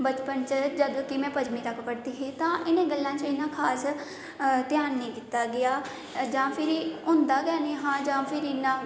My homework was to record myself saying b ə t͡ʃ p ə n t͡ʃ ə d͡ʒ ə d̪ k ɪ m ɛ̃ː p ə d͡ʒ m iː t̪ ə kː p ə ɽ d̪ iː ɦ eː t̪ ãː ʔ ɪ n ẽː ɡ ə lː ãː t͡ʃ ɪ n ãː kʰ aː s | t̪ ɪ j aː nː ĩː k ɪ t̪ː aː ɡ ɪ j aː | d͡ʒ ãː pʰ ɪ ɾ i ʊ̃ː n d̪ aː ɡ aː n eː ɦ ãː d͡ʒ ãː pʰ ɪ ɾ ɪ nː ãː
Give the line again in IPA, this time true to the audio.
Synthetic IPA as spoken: b ə t͡ʃ p ə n t͡ʃ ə d͡ʒ ə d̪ k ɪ m ɛ̃ː p ə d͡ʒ m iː t̪ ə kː p ə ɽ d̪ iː ɦ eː t̪ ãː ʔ ɪ n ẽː ɡ ə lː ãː t͡ʃ ɪ n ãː kʰ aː s | t̪ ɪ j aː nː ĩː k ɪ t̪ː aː ɡ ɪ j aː | d͡ʒ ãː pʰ ɪ ɾ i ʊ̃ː n d̪ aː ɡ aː n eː ɦ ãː d͡ʒ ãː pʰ ɪ ɾ ɪ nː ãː